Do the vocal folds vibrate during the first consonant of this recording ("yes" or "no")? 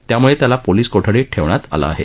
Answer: no